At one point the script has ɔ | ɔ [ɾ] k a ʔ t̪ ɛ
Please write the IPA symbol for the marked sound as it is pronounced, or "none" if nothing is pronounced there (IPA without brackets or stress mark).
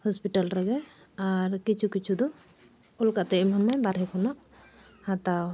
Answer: l